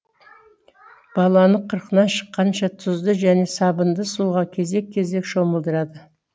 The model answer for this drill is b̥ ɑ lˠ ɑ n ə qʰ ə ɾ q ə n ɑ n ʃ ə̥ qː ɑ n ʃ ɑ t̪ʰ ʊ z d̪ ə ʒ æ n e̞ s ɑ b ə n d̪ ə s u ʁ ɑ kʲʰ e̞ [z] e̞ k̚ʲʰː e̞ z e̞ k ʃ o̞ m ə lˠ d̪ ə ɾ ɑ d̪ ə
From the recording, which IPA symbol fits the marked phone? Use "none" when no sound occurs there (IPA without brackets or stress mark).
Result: z